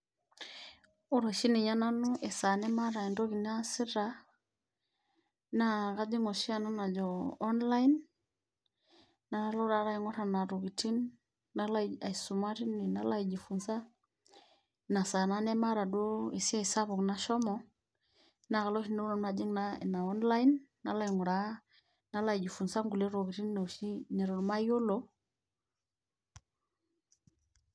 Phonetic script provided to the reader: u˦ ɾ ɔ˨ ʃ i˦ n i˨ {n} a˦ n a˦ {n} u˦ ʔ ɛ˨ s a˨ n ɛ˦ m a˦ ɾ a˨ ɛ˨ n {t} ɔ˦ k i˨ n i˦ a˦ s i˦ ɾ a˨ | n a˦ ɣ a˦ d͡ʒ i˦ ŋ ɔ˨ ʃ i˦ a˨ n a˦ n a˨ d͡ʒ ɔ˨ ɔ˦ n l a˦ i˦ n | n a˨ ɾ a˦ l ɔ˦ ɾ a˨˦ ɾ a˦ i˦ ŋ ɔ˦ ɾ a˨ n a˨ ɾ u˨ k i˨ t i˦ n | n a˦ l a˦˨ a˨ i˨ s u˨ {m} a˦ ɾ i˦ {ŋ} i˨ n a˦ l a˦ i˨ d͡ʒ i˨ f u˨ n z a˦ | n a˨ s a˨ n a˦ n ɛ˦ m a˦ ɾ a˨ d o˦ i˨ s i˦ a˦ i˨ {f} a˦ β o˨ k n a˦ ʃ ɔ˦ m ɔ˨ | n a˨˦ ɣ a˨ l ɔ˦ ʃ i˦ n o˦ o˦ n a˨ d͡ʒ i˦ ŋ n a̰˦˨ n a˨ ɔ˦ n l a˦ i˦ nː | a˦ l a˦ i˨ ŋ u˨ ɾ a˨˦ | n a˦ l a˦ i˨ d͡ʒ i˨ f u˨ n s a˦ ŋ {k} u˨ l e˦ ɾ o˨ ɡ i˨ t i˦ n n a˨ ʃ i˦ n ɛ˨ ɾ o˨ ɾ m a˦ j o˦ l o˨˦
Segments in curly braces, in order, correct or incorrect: incorrect: ɲ, correct, incorrect: d, correct, incorrect: n, incorrect: s, incorrect: ɡ

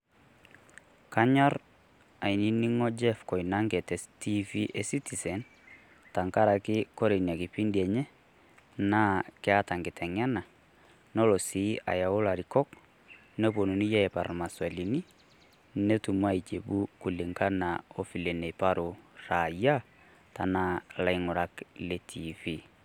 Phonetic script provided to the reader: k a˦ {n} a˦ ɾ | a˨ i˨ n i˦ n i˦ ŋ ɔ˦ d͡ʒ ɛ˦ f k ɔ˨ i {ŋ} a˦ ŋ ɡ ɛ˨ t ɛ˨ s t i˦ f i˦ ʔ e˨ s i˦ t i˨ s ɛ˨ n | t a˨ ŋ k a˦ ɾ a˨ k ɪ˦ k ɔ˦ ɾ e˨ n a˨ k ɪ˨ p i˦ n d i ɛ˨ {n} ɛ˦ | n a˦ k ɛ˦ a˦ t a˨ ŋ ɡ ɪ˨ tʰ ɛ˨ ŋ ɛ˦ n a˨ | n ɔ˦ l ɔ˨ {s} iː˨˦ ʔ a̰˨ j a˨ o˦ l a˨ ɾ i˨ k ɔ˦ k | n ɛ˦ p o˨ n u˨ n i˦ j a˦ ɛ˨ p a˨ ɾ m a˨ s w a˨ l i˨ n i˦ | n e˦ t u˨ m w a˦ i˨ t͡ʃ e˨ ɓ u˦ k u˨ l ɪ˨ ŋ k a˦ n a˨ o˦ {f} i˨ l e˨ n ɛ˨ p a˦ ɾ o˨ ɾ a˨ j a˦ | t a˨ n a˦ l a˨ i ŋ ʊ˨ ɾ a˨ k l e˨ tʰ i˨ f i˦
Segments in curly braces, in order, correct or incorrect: incorrect: ɲ, incorrect: n, incorrect: ɲ, correct, correct

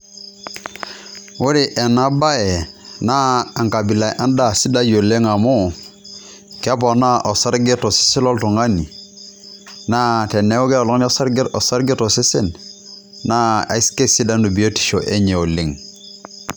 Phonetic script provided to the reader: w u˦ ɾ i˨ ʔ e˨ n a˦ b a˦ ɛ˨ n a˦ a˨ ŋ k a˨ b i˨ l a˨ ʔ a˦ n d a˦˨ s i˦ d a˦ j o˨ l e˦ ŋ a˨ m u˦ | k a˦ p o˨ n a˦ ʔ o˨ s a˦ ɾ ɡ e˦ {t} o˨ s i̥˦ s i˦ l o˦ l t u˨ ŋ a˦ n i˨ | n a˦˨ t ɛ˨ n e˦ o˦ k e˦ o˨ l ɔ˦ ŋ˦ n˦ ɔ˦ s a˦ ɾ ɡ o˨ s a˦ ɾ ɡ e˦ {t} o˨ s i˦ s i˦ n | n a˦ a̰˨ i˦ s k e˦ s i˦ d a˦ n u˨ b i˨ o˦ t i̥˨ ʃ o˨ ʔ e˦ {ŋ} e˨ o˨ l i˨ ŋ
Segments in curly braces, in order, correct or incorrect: correct, correct, incorrect: ɲ

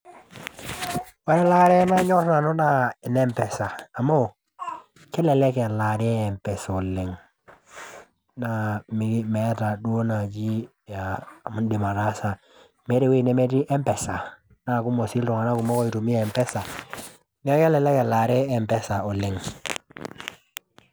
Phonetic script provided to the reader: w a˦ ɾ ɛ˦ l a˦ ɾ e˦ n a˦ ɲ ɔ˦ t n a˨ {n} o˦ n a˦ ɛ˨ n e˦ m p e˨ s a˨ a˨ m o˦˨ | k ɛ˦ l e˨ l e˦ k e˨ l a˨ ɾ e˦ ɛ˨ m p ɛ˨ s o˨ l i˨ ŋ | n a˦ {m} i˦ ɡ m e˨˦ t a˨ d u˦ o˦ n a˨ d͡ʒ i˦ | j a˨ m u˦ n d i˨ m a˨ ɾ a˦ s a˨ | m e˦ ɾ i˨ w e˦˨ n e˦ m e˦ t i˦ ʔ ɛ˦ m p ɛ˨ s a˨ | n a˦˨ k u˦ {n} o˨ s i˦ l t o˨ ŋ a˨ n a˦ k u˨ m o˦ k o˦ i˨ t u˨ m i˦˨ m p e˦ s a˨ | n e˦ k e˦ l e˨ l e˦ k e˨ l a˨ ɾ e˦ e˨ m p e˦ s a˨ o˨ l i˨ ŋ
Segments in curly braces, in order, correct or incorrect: correct, correct, incorrect: m

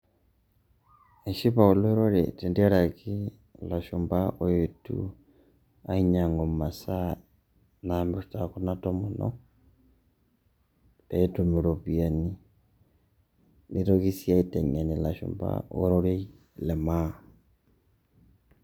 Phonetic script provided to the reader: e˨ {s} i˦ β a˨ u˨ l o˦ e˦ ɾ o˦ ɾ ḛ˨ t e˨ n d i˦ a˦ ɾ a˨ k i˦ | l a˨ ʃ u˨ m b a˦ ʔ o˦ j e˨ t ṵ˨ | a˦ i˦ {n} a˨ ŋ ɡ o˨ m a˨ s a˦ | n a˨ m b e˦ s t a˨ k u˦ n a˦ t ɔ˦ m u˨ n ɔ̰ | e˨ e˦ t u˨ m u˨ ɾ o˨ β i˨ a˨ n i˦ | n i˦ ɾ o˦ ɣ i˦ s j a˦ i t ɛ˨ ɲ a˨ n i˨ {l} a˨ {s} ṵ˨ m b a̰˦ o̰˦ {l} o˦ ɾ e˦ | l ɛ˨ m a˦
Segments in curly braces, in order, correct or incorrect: incorrect: ʃ, incorrect: ɲ, correct, incorrect: ʃ, incorrect: ɾ

